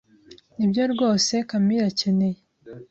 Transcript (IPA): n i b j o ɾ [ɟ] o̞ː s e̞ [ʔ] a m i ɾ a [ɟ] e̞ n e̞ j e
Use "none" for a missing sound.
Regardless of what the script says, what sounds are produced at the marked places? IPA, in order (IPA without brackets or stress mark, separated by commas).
ɡ, k, c